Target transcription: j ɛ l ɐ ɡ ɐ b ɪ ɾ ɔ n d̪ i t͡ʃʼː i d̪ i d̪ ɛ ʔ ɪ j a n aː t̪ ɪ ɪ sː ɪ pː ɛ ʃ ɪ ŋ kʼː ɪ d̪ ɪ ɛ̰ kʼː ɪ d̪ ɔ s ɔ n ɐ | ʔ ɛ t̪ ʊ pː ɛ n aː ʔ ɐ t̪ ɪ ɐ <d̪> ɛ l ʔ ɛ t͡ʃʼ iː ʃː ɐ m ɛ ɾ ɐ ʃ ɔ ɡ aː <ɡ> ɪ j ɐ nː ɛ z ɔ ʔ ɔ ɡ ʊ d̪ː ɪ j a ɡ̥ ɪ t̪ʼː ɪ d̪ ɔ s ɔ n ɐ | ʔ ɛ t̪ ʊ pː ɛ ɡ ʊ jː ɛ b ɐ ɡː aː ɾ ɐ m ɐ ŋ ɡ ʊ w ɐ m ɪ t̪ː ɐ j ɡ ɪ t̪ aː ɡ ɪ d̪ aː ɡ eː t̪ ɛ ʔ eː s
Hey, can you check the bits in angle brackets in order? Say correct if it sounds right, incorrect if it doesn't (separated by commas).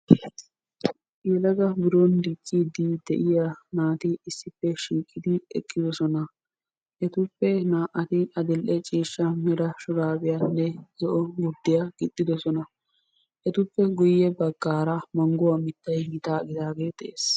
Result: correct, incorrect